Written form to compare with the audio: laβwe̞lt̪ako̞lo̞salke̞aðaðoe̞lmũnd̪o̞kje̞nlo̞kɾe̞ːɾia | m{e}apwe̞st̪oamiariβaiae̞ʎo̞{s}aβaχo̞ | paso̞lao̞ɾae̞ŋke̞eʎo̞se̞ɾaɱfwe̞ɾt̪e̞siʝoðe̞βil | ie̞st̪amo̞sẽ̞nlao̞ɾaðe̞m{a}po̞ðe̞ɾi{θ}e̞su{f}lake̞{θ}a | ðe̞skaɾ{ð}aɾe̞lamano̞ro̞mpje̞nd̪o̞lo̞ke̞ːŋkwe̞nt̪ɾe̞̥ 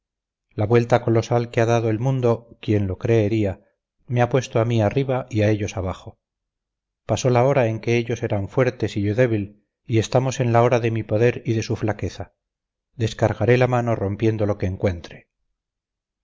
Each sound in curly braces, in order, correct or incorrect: correct, correct, incorrect: i, incorrect: ð, correct, correct, incorrect: ɣ

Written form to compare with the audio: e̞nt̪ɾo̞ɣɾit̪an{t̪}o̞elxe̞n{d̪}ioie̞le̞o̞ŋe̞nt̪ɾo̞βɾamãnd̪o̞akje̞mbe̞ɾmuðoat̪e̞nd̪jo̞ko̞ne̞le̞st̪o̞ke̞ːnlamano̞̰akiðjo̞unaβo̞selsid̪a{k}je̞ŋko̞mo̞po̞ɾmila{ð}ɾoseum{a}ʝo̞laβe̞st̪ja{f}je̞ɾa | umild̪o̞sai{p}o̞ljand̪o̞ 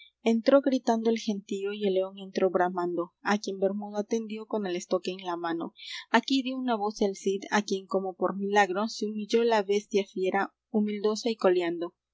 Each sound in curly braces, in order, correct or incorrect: incorrect: d̪, incorrect: t̪, correct, incorrect: ɣ, incorrect: i, correct, incorrect: k

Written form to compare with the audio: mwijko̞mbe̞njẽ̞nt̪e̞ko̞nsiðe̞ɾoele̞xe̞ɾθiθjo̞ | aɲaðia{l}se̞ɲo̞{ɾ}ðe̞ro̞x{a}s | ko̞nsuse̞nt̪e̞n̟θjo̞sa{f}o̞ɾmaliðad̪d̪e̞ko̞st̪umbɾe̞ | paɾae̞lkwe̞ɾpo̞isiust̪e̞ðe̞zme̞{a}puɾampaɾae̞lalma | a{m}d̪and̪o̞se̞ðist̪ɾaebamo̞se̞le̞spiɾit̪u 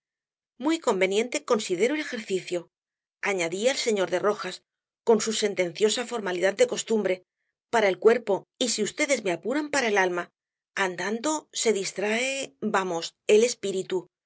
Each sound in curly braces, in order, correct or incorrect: correct, correct, correct, correct, correct, incorrect: n

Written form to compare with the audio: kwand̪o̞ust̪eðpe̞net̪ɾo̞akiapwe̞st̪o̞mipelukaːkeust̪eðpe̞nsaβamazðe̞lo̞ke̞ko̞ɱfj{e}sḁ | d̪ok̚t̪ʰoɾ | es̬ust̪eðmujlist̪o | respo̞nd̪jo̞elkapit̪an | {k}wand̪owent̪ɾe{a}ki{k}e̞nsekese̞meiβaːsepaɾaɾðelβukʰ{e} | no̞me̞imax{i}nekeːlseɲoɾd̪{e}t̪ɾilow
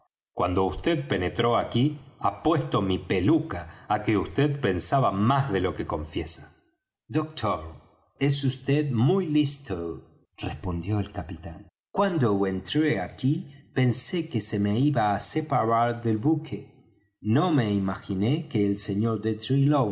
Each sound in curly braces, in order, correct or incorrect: correct, correct, correct, incorrect: p, correct, correct, correct

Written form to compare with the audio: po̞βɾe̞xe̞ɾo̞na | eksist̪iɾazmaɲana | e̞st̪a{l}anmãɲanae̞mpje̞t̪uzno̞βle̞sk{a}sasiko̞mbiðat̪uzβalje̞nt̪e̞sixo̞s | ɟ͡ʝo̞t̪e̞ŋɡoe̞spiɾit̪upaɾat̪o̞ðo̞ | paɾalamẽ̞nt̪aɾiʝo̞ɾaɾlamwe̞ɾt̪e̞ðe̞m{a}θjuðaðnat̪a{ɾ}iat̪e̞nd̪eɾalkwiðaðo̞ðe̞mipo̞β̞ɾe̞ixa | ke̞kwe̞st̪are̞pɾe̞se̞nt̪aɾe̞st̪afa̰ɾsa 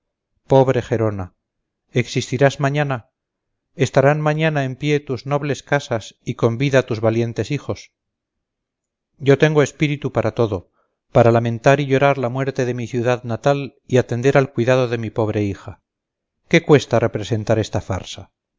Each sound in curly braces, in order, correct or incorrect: incorrect: ɾ, correct, incorrect: i, incorrect: l

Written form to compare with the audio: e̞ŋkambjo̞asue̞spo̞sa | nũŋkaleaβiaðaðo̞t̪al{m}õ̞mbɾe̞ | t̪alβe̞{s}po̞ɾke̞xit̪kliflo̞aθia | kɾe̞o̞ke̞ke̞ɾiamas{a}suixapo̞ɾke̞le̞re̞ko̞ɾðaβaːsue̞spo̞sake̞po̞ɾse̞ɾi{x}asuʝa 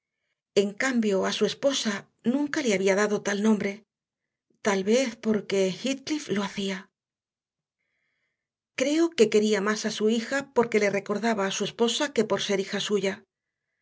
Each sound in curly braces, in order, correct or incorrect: incorrect: n, incorrect: θ, correct, correct

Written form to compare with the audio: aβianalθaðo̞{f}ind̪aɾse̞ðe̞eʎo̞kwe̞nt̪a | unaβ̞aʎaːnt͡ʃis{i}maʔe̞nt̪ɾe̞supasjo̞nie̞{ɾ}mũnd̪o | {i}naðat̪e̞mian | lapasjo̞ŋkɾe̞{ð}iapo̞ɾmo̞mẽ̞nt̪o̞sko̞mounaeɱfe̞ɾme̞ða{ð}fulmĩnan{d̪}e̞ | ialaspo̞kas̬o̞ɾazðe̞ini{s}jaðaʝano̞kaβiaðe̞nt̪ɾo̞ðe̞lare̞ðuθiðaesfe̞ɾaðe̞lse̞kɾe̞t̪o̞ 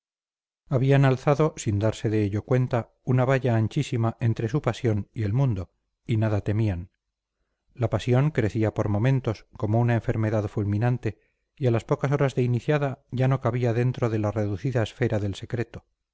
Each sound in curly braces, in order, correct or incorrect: incorrect: s, correct, incorrect: l, correct, incorrect: θ, correct, incorrect: t̪, incorrect: θ

